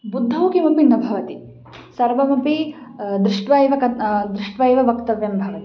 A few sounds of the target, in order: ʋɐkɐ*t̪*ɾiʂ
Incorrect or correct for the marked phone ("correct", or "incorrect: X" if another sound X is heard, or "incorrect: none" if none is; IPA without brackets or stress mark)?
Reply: incorrect: d̪